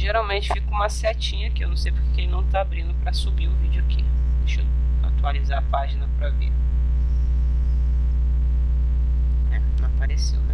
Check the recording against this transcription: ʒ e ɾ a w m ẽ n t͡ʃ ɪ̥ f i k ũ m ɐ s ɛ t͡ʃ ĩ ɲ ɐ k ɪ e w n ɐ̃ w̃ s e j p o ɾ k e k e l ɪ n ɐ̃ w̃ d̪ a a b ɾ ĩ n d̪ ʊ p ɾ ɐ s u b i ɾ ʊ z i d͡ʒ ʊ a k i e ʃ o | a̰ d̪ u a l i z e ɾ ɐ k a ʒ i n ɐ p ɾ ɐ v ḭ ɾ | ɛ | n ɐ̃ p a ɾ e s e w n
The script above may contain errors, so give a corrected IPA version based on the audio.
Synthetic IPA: ʒ e ɾ a w m ẽ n t͡ʃ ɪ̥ f i k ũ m ɐ s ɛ t͡ʃ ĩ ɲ ɐ k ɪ e w n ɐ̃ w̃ s e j p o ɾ k e k e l ɪ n ɐ̃ w̃ t̪ a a b ɾ ĩ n d̪ ʊ p ɾ ɐ s u b i ɾ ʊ v i d͡ʒ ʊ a k i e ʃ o | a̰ t̪ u a l i z a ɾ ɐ p a ʒ i n ɐ p ɾ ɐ v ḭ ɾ | ɛ | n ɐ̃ p a ɾ e s e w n